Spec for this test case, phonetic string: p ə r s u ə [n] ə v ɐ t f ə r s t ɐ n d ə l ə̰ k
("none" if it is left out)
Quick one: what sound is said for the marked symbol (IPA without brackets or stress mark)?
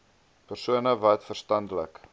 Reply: n